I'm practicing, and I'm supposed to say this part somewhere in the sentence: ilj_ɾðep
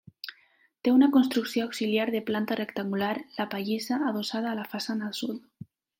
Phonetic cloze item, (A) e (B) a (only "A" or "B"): B